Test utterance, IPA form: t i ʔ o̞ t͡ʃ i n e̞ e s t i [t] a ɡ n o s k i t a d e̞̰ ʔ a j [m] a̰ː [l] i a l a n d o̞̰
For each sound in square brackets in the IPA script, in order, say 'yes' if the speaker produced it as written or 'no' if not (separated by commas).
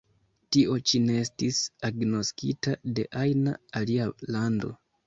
no, no, yes